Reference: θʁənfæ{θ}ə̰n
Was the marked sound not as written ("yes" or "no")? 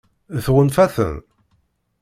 no